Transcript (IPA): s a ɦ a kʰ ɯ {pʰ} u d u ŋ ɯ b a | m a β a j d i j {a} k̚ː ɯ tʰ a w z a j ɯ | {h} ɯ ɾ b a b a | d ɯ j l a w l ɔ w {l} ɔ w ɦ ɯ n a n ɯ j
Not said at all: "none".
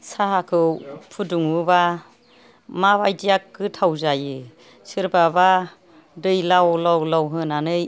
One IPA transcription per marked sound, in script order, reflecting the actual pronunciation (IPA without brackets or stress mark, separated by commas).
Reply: pʰ, a, s, l